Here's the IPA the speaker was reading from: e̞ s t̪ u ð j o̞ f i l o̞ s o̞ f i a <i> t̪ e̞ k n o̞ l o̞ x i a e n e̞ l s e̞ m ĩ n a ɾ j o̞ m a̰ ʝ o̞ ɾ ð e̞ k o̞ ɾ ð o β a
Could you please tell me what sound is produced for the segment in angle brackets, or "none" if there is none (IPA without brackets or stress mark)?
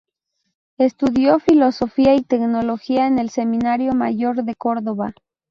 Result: i